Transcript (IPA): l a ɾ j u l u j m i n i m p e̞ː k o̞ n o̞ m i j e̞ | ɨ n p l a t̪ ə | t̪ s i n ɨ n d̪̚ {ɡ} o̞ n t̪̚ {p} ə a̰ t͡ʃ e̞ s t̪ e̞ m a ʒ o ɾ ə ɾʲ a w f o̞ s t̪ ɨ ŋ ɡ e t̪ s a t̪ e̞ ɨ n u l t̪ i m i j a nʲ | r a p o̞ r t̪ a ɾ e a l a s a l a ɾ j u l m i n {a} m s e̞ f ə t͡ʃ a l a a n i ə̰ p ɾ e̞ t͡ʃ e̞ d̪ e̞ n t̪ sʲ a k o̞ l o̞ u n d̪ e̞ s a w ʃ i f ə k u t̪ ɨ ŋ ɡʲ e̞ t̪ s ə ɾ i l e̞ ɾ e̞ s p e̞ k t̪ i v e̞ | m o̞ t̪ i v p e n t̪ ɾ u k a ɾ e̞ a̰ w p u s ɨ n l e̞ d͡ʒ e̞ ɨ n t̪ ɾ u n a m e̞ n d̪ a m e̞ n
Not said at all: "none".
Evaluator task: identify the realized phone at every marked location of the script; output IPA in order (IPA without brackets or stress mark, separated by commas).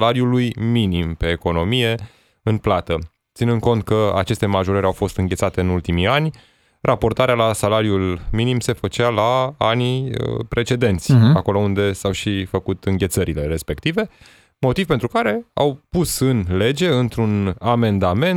k, k, i